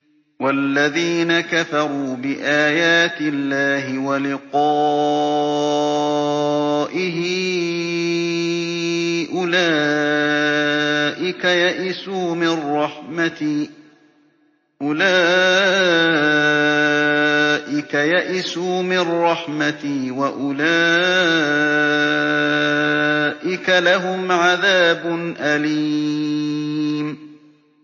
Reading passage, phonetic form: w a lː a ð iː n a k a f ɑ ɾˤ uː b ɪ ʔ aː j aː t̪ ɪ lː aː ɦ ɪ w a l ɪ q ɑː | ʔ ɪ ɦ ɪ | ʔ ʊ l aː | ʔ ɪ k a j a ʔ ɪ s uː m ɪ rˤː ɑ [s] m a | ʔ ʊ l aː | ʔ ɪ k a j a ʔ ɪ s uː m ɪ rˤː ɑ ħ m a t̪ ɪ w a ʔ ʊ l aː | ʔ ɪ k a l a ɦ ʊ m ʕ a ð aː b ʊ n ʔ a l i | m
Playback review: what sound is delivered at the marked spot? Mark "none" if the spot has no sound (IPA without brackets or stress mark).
ħ